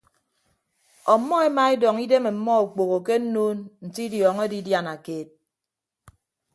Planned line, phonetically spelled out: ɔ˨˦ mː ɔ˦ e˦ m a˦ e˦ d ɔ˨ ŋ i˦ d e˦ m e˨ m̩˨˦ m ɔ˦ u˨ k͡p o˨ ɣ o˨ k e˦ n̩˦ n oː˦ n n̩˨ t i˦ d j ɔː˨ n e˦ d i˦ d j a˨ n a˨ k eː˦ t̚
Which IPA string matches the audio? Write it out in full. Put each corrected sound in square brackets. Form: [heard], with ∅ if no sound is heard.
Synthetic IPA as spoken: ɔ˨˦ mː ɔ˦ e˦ m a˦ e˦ d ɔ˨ ŋ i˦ d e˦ m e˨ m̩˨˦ m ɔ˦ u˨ k͡p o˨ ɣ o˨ k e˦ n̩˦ n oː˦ n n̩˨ t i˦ d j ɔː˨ [ŋ] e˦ d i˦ d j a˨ n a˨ k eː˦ t̚